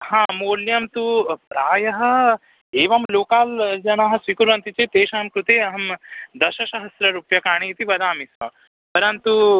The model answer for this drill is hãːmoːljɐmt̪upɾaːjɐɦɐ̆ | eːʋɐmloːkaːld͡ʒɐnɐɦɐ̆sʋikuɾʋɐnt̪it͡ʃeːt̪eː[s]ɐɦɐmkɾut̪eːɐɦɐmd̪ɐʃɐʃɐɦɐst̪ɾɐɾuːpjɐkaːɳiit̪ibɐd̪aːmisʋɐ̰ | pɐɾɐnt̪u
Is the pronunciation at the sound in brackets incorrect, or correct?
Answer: incorrect